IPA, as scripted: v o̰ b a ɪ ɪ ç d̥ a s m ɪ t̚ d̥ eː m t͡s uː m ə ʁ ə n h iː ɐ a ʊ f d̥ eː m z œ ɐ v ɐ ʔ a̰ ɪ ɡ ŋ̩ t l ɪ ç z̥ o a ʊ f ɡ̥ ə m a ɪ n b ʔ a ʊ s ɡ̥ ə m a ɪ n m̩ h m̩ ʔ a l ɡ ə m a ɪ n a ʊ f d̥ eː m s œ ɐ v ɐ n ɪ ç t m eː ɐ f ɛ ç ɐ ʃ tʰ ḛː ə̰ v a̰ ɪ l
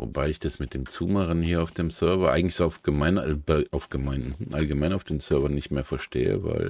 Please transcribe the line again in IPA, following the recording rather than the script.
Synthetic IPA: v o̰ b a ɪ ɪ ç d̥ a s m ɪ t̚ d̥ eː m t͡s uː m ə ʁ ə n h iː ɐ a ʊ f d̥ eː m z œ ɐ v ɐ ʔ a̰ ɪ ɡ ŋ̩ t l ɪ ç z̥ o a ʊ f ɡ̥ ə m a ɪ n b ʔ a ʊ f ɡ̥ ə m a ɪ n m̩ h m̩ ʔ a l ɡ ə m a ɪ n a ʊ f d̥ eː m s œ ɐ v ɐ n ɪ ç t m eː ɐ f ɛ ɐ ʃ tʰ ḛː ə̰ v a̰ ɪ l